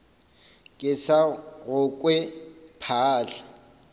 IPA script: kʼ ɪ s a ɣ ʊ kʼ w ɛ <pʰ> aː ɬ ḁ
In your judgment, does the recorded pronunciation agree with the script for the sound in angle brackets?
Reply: yes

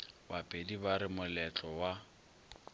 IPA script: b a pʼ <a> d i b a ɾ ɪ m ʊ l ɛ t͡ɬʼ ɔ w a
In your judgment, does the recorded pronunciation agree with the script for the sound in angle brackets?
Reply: no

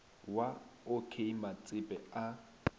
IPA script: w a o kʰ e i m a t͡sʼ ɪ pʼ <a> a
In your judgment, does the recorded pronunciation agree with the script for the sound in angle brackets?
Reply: no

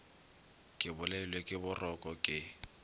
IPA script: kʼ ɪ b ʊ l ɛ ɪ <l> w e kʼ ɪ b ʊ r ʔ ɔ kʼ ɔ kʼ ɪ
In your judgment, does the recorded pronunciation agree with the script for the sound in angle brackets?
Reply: yes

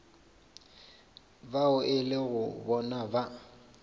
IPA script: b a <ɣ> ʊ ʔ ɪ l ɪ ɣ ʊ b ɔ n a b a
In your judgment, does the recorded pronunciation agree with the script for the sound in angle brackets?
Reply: no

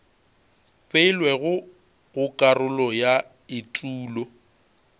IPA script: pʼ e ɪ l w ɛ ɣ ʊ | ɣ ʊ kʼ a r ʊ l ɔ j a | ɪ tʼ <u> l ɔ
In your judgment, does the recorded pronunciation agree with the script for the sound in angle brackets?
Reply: no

